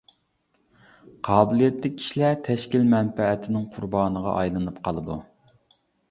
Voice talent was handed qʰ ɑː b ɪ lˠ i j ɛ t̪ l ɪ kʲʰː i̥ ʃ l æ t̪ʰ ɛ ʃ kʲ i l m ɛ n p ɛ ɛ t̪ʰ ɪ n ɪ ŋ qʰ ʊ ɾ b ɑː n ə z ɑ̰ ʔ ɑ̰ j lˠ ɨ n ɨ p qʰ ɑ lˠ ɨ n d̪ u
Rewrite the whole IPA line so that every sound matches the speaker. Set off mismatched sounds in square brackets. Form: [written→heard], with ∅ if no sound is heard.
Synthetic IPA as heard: qʰ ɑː b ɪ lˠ i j ɛ t̪ l ɪ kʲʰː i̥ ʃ l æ t̪ʰ ɛ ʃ kʲ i l m ɛ n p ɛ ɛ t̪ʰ ɪ n ɪ ŋ qʰ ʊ ɾ b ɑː n ə [z→ʁ] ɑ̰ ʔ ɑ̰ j lˠ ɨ n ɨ p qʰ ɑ lˠ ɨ [n→∅] d̪ u